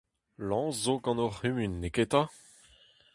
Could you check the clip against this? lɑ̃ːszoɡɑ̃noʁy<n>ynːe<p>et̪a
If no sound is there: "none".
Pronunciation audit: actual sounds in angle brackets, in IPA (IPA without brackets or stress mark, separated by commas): m, k